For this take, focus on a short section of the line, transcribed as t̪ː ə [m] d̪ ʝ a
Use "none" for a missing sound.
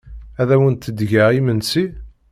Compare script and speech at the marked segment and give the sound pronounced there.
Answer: none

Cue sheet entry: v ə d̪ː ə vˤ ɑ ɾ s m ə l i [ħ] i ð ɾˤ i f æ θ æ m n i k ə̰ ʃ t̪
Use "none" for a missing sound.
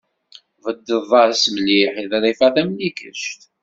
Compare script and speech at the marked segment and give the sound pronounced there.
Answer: ħ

